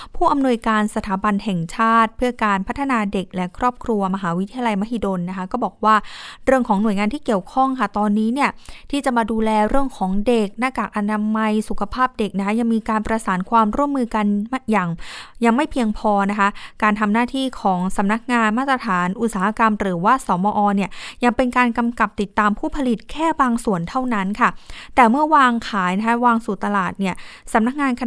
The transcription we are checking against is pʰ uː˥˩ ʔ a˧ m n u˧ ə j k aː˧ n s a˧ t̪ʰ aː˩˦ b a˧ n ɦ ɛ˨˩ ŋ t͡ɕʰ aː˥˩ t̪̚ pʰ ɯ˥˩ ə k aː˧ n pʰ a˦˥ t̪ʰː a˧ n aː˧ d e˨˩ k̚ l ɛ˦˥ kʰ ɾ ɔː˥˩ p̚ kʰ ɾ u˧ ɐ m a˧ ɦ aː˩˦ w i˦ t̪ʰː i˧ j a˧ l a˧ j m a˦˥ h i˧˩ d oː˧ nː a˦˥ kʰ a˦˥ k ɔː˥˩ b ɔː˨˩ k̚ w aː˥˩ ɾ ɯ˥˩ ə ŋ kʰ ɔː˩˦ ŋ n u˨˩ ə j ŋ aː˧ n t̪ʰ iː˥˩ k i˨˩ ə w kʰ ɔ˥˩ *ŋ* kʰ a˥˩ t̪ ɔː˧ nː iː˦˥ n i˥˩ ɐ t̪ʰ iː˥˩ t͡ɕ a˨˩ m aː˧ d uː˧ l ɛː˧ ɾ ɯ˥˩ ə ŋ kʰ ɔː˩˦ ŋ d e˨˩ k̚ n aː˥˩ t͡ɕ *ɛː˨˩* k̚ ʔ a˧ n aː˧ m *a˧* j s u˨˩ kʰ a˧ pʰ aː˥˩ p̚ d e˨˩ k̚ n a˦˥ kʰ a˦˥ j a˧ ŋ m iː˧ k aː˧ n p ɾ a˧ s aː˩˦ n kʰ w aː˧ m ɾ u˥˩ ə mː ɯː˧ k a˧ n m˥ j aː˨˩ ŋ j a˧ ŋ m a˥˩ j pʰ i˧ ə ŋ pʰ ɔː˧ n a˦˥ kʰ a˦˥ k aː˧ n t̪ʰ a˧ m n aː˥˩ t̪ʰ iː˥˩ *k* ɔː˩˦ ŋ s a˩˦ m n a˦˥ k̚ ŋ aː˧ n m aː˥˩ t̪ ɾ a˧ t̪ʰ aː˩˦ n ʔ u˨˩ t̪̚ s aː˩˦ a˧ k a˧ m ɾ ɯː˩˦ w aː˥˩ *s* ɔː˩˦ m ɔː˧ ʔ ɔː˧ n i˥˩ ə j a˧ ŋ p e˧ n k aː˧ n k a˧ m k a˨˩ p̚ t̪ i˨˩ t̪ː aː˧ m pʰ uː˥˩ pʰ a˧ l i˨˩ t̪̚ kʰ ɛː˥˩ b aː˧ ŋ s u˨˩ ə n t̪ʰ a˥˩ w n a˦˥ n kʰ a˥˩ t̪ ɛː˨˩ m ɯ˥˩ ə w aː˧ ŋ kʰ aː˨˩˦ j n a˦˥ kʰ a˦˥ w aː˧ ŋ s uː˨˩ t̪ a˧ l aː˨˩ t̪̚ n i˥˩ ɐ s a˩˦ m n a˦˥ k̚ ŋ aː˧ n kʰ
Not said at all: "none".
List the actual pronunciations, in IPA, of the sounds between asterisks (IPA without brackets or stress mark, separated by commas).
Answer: ŋ, aː˨˩, a˧, kʰ, s